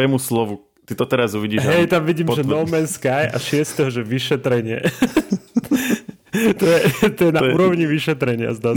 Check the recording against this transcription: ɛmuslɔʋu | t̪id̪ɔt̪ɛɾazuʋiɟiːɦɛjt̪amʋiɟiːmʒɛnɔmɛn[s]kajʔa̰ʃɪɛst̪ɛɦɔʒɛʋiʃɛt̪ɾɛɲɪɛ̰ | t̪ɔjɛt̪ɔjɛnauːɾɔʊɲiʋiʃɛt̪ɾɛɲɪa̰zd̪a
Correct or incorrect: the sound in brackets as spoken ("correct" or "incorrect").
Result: correct